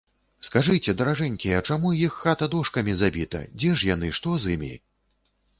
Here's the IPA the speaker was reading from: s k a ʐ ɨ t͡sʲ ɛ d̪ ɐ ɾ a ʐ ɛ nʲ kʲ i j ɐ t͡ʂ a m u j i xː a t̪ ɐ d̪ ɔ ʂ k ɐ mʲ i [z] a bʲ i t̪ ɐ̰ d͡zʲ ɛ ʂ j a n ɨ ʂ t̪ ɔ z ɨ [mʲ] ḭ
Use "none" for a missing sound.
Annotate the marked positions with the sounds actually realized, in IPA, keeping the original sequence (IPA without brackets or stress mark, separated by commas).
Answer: z, mʲ